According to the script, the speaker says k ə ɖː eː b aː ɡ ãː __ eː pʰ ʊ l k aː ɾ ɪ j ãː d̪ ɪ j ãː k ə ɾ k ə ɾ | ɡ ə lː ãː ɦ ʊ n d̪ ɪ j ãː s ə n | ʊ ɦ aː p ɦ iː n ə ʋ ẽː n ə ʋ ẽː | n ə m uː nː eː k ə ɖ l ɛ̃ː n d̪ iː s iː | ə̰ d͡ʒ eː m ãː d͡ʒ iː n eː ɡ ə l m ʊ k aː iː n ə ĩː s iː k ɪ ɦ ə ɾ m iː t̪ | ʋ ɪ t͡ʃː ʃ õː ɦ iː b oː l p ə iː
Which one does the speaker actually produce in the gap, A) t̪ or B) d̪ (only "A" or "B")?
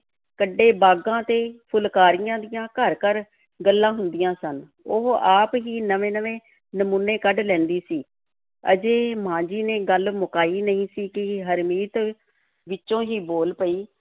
A